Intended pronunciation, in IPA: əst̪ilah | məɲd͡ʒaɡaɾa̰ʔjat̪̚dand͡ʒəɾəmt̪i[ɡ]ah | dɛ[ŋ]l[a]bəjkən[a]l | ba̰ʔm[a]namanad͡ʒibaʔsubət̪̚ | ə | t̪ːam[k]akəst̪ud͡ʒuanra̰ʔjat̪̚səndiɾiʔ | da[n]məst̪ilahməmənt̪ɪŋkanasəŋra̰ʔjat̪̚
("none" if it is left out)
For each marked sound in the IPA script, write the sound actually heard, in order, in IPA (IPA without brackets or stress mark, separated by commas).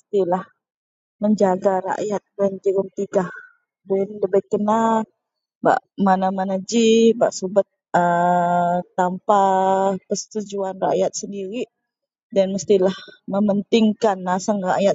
ɡ, n, ə, a, a, p, n